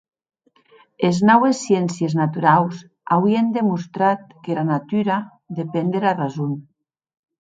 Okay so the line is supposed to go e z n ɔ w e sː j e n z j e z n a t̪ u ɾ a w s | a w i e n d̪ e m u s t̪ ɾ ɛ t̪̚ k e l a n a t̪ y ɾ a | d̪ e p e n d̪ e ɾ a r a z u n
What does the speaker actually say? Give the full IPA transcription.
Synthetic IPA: e z n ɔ w e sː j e n s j e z n a t̪ u ɾ a w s | a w i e n d̪ e m u s t̪ ɾ a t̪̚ k e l a n a t̪ y ɾ a | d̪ e p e n d̪ e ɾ a r a z u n

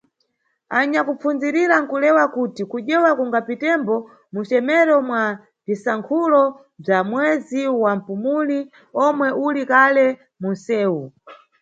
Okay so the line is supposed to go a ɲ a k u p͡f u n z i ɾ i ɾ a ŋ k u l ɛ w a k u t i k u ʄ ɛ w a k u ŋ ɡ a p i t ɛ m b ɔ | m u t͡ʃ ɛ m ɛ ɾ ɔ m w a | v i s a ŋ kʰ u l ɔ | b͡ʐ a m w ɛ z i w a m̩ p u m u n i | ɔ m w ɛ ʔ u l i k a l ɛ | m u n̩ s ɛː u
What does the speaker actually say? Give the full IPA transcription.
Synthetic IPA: a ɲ a k u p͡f u n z i ɾ i ɾ a ŋ k u l ɛ w a k u t i k u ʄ ɛ w a k u ŋ ɡ a p i t ɛ m b ɔ | m u t͡ʃ ɛ m ɛ ɾ ɔ m w a | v i s a ŋ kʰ u l ɔ | b͡ʐ a m w ɛ z i w a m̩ p u m u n i | ɔ m w ɛ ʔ u l i k a l ɛ | m u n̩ s ɛː u

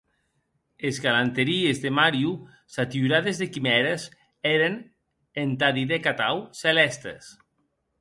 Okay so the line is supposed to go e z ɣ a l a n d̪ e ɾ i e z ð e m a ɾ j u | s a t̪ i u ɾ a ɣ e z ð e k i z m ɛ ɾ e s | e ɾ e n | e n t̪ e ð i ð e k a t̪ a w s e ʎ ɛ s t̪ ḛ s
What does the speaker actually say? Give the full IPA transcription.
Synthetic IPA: e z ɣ a l a n t̪ e ɾ i e z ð e m a ɾ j u | s a t̪ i u ɾ a ð e z ð e k i m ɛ ɾ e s | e ɾ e n | e n t̪ a ð i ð e k a t̪ a w s e l ɛ s t̪ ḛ s

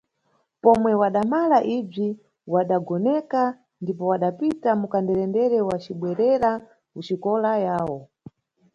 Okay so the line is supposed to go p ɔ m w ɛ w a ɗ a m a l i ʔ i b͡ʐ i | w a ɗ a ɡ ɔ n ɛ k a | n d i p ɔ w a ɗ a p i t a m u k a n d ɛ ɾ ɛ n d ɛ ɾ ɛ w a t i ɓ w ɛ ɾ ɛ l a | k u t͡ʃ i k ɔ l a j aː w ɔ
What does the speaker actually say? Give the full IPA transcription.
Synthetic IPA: p ɔ m w ɛ w a ɗ a m a l a ʔ i b͡ʐ i | w a ɗ a ɡ ɔ n ɛ k a | n d i p ɔ w a ɗ a p i t a m u k a n d ɛ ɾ ɛ n d ɛ ɾ ɛ w a t͡ʃ i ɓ w ɛ ɾ ɛ ɾ a | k u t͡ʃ i k ɔ l a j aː w ɔ

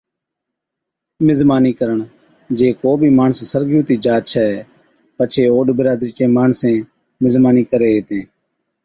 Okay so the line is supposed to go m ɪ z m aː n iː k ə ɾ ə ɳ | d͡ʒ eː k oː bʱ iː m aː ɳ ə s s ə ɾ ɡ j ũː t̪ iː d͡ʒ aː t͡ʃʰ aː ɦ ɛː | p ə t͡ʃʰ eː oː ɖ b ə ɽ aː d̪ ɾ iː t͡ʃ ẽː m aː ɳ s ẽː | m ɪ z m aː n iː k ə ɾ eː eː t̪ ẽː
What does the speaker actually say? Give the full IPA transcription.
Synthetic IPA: m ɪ z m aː n iː k ə ɾ ə ɳ | d͡ʒ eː k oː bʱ iː m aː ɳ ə s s ə ɾ ɡ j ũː t̪ iː d͡ʒ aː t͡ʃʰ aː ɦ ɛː | p ə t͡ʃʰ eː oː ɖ b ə ɾ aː d̪ ɾ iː t͡ʃ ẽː m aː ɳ s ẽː | m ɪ z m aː n iː k ə ɾ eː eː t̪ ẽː

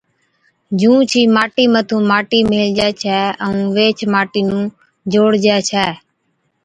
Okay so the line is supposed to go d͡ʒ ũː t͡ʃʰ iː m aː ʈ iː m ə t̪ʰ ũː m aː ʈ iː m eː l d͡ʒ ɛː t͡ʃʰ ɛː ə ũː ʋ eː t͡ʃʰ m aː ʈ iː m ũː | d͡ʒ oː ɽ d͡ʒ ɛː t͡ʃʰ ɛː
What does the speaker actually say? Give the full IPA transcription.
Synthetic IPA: d͡ʒ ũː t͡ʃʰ iː m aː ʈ iː m ə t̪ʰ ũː m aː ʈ iː m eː l d͡ʒ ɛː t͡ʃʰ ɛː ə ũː ʋ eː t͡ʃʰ m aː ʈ iː n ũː | d͡ʒ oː ɽ d͡ʒ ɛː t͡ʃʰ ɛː

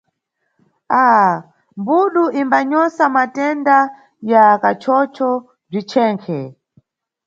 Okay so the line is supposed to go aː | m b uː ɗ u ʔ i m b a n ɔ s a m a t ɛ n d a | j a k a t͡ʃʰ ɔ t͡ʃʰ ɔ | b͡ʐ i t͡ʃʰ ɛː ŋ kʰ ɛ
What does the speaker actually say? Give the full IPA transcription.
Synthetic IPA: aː | m b u ɗ u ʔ i m b a ɲ ɔ s a m a t ɛ n d a | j a k a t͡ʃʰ ɔ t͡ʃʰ ɔ | b͡ʐ i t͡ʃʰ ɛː ŋ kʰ ɛ

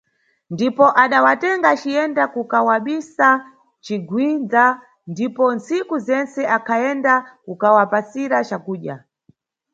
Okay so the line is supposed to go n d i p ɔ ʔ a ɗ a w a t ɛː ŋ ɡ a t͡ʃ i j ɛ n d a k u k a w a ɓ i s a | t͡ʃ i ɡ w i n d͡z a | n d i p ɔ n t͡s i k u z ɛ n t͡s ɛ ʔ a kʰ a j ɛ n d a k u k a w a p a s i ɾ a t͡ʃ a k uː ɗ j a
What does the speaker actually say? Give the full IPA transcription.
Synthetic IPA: n d i p ɔ ʔ a ɗ a w a t ɛ ŋ ɡ a t͡ʃ i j ɛ n d a k u k a w a ɓ i s a | t͡ʃ i ɡ w i n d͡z a | n d i p ɔ n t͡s i k u z ɛ n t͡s ɛ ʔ a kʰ a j ɛ n d a k u k a w a p a s i ɾ a t͡ʃ a k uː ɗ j a

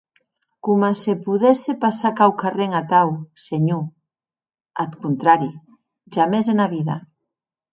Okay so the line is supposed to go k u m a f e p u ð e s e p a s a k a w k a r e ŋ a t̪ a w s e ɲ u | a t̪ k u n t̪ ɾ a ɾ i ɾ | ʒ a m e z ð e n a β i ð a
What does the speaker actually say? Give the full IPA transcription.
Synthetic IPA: k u m a s e p u ð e s e p a s a k a w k a r e ŋ a t̪ a w s e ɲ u | a t̪ k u n t̪ ɾ a ɾ i | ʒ a m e z ð e n a β i ð a

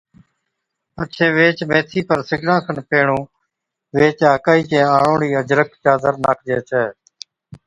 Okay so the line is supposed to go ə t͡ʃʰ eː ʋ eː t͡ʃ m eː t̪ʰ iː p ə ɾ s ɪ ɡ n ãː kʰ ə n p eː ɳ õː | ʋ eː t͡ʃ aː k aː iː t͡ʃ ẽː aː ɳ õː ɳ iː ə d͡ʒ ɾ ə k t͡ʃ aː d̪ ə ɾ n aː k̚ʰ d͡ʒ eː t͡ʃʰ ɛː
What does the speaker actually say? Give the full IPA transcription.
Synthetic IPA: ə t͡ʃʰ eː ʋ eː t͡ʃ m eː t̪ʰ iː p ə ɾ s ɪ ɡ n ãː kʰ ə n p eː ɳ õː | ʋ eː t͡ʃ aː k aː iː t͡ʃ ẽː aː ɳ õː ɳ iː ə d͡ʒ ɾ ə k t͡ʃ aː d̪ ə ɾ n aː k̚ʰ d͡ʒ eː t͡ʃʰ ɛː

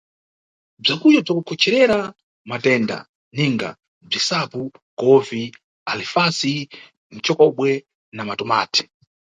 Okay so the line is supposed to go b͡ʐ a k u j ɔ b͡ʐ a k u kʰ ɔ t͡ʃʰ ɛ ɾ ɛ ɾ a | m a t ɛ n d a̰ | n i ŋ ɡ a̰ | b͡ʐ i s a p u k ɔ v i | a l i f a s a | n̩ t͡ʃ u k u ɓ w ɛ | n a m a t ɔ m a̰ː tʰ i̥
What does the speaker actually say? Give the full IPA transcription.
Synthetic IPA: b͡ʐ a k u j ɔ b͡ʐ a k u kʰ ɔ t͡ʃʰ ɛ ɾ ɛ ɾ a | m a t ɛ n d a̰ | n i ŋ ɡ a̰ | b͡ʐ i s a p u k ɔ v i | a l i f a s i | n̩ t͡ʃ ɔ k ɔ ɓ w ɛ | n a m a t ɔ m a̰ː tʰ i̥

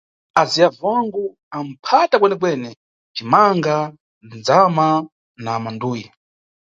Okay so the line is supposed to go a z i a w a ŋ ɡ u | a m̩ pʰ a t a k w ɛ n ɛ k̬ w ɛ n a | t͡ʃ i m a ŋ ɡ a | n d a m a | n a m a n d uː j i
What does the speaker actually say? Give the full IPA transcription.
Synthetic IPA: a z i a v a ŋ ɡ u | a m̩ pʰ a t a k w ɛ n ɛ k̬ w ɛ n ɛ | t͡ʃ i m a ŋ ɡ a | n d͡z a m a | n a m a n d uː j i

